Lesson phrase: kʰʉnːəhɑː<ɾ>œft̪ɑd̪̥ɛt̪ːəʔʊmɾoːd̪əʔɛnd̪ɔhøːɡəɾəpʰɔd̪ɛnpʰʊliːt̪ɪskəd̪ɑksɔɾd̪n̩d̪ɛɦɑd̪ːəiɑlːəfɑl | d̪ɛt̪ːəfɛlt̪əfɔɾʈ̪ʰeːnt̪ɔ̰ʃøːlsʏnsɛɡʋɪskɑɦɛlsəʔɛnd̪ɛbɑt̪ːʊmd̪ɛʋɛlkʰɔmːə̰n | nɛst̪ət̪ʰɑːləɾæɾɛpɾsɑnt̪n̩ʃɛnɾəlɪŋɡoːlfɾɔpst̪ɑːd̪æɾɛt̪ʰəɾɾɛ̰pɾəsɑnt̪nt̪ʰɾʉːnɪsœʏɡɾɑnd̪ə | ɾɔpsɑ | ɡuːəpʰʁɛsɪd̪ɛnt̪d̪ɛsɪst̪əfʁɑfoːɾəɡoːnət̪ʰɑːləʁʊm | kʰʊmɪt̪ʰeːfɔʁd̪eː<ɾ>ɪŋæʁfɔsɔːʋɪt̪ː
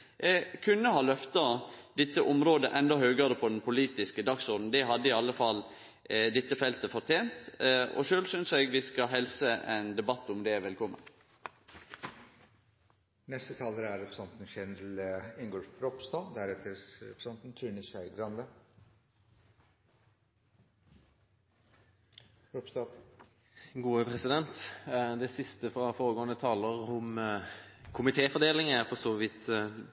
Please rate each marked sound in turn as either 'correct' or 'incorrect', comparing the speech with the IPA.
incorrect, incorrect

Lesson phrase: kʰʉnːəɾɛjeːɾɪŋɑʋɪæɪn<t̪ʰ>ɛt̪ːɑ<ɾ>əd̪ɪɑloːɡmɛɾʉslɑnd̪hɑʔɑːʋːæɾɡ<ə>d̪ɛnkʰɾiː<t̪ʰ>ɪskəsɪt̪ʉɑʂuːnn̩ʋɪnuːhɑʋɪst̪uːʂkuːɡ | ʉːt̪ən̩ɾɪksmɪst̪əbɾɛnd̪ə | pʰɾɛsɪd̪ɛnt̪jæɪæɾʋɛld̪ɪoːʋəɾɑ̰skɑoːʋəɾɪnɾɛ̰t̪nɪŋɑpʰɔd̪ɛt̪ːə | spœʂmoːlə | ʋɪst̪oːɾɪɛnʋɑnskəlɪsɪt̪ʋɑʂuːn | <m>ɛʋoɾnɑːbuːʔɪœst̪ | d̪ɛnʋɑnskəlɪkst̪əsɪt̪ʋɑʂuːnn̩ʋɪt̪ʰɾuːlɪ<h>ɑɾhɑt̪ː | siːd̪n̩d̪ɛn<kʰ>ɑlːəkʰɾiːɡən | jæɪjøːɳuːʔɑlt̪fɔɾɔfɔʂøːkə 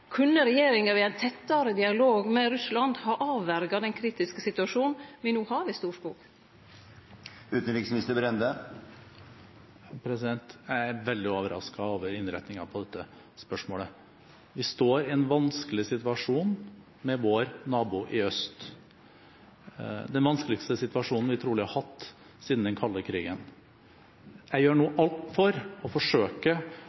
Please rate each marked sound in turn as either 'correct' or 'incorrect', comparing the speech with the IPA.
correct, correct, incorrect, incorrect, correct, correct, correct

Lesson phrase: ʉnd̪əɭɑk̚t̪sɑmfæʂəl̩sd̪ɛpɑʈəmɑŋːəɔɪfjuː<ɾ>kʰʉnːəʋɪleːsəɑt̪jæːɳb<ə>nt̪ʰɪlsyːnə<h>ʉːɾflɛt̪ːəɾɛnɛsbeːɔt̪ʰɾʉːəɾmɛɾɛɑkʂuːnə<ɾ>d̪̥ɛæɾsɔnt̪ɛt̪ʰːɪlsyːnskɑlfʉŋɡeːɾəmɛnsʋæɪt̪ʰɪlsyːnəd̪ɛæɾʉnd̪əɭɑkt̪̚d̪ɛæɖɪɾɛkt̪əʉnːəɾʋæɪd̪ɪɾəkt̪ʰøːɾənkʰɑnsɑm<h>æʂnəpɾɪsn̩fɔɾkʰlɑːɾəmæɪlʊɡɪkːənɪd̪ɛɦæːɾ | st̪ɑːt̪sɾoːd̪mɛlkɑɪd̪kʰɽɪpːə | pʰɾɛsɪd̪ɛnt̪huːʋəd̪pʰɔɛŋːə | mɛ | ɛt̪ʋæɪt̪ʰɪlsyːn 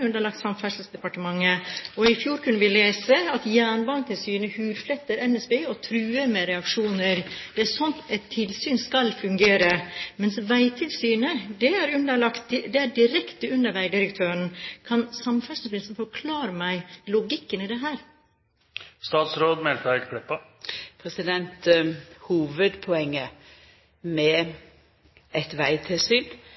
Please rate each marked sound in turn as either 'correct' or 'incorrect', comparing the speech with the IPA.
correct, incorrect, correct, correct, incorrect

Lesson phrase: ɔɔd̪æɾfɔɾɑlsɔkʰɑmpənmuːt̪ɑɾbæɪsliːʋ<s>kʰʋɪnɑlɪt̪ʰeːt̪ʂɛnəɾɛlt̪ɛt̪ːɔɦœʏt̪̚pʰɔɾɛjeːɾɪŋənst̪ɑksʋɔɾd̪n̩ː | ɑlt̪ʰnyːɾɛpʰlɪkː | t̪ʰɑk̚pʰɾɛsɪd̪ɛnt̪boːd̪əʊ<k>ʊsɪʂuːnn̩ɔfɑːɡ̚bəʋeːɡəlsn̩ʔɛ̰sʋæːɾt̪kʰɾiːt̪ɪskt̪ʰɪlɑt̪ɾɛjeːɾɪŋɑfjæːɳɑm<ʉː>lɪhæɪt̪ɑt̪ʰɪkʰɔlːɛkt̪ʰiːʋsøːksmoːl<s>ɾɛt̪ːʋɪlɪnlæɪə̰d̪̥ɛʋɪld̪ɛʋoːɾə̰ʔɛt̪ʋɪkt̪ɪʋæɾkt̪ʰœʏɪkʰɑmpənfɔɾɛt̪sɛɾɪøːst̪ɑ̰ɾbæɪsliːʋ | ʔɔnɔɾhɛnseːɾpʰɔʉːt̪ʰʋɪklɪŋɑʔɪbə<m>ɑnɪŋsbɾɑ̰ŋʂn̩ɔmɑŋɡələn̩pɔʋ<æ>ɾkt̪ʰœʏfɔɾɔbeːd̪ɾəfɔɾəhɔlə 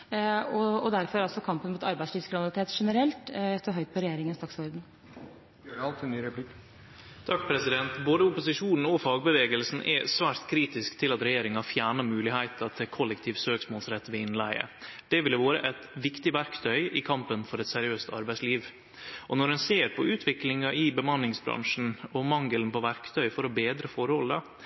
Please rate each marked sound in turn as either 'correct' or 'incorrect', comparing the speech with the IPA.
correct, incorrect, correct, correct, correct, correct

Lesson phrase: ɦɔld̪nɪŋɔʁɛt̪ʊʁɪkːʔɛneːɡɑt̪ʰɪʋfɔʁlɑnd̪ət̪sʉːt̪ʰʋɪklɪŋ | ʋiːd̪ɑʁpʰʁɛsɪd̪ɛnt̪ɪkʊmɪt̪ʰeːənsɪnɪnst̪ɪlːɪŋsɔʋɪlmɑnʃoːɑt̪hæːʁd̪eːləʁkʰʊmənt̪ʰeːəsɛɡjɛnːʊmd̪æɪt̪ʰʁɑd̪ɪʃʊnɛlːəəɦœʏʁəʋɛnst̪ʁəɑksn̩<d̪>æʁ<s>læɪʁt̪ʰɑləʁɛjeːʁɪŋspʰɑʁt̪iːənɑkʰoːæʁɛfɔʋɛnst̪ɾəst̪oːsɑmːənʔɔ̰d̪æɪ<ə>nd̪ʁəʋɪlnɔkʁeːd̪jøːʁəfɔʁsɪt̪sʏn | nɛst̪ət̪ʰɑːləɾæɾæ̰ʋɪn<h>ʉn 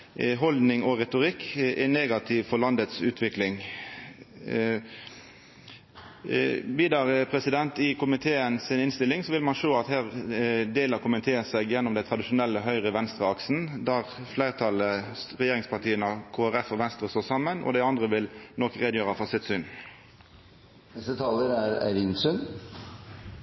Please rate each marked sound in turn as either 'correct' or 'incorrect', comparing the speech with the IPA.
correct, incorrect, incorrect, incorrect

